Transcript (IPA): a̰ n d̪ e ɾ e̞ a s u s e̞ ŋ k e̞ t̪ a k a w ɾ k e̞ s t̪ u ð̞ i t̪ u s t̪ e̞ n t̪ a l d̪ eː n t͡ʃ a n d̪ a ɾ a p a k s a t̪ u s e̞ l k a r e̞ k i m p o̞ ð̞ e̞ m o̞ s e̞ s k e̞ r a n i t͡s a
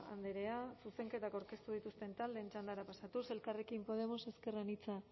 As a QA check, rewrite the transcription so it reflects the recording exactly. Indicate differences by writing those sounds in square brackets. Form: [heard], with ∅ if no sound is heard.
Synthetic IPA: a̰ n d̪ e ɾ e̞ a s u s e̞ ŋ k e̞ t̪ a k a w ɾ k e̞ s t̪ u ð̞ i t̪ u s t̪ e̞ n t̪ a l d̪ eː n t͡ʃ a n d̪ a ɾ a p a [∅] s a t̪ u s e̞ l k a r e̞ k i m p o̞ ð̞ e̞ m o̞ s e̞ s k e̞ r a n i t͡s a